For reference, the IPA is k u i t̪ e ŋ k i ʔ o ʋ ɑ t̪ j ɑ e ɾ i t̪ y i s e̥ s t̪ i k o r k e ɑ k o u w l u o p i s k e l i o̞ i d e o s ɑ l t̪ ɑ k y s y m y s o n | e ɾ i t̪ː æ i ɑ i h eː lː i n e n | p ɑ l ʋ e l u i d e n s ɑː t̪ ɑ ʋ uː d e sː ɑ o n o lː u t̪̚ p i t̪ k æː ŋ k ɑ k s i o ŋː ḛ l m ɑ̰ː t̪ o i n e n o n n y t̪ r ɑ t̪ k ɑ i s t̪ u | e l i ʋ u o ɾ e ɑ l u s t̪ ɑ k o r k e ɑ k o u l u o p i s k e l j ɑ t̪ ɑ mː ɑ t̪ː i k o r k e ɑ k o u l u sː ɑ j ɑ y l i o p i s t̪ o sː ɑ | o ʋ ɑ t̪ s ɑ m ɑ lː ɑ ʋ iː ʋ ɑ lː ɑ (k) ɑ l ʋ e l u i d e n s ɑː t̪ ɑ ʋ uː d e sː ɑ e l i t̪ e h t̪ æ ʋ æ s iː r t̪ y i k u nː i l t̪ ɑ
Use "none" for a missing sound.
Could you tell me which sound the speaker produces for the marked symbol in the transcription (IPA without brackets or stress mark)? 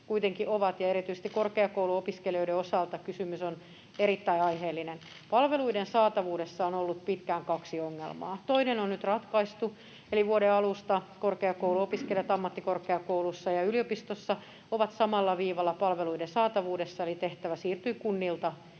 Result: p